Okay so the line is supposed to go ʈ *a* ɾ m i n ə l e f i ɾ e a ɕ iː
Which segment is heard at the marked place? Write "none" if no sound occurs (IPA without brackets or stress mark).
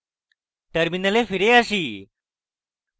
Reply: ə